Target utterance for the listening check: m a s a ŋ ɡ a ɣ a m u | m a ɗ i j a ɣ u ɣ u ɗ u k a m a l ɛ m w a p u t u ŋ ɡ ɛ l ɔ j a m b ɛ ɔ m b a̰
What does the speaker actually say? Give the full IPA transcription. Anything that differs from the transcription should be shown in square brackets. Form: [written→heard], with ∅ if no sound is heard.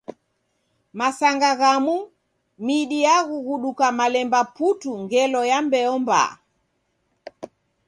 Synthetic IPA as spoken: m a s a ŋ ɡ a ɣ a m u | m [a→i] ɗ i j a ɣ u ɣ u ɗ u k a m a l ɛ m [w→b] a p u t u ŋ ɡ ɛ l ɔ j a m b ɛ ɔ m b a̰